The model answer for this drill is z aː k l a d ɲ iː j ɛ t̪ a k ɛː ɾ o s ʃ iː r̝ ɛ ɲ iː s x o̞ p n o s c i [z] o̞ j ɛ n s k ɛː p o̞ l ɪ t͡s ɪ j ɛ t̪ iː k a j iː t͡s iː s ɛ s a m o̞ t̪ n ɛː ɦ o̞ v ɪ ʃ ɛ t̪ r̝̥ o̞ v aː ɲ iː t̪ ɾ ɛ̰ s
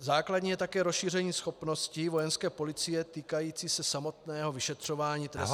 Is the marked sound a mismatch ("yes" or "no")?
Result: yes